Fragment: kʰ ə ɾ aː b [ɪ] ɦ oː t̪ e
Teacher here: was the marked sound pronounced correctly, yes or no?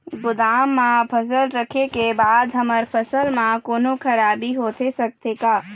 no